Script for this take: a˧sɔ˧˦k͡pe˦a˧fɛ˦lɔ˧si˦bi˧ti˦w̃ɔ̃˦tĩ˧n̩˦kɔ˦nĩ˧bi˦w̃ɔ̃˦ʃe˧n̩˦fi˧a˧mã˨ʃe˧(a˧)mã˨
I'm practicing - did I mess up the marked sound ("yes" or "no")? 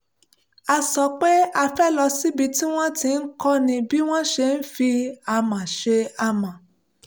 no